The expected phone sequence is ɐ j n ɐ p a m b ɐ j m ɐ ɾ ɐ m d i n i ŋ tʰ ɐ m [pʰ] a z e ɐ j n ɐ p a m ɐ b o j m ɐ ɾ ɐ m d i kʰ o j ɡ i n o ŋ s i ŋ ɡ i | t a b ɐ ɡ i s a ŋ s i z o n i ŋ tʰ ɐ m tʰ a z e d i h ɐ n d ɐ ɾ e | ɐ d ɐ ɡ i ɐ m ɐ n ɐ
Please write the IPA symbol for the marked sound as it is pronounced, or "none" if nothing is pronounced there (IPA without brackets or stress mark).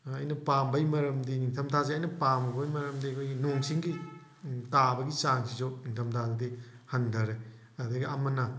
tʰ